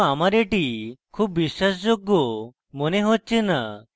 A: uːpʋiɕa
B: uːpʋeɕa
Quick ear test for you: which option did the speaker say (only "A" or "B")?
A